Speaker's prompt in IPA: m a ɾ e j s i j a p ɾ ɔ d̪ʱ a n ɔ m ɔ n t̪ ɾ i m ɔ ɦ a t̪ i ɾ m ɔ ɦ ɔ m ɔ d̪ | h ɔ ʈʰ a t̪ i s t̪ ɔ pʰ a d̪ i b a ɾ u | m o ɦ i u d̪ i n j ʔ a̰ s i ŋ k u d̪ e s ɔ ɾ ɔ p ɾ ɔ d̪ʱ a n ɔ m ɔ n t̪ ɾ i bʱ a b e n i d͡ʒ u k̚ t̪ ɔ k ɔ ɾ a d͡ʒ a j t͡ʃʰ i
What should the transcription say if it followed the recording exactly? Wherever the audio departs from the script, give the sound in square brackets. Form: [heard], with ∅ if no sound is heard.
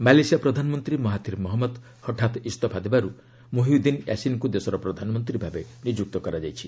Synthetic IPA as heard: m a [l] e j s i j a p ɾ ɔ d̪ʱ a n ɔ m ɔ n t̪ ɾ i m ɔ ɦ a t̪ i ɾ m ɔ ɦ ɔ m ɔ d̪ | h ɔ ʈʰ a t̪ i s t̪ ɔ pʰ a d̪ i b a ɾ u | m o ɦ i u d̪ i n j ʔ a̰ s i [n] k u d̪ e s ɔ ɾ ɔ p ɾ ɔ d̪ʱ a n ɔ m ɔ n t̪ ɾ i bʱ a b e n i d͡ʒ u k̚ t̪ ɔ k ɔ ɾ a d͡ʒ a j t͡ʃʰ i